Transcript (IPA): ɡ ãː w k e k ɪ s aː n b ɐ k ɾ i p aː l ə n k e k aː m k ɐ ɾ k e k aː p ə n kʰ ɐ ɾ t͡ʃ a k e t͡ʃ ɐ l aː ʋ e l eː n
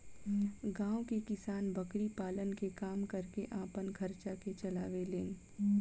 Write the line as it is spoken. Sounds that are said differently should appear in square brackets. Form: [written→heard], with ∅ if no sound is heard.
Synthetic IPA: ɡ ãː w k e k ɪ s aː n b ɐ k ɾ i p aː l ə n k e k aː m k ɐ ɾ k e [k→ʔ] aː p ə n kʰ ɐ ɾ t͡ʃ a k e t͡ʃ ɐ l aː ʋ e l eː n